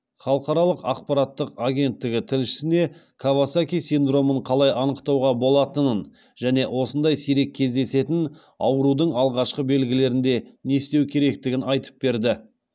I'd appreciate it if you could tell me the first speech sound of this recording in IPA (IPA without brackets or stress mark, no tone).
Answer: χ